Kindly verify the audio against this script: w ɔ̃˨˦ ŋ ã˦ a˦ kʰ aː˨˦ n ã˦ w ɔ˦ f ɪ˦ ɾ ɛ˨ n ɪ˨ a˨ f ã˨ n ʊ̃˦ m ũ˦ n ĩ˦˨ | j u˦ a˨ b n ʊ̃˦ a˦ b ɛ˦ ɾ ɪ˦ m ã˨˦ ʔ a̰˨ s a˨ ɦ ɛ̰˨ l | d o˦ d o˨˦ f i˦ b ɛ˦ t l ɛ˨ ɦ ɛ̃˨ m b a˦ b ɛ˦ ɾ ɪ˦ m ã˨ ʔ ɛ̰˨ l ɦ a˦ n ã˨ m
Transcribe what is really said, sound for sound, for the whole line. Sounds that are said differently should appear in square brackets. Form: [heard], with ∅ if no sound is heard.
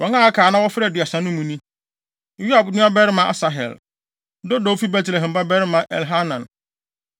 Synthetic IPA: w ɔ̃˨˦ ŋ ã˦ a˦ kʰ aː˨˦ n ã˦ w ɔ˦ f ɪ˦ ɾ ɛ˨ [d] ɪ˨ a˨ [s] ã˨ n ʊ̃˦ m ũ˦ n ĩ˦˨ | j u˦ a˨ b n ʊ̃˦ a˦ b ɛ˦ ɾ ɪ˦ m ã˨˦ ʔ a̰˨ s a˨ ɦ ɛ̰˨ l | d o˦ d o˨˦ f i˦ b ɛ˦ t l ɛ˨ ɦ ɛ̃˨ m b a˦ b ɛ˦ ɾ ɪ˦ m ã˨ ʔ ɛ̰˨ l ɦ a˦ n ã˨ [n]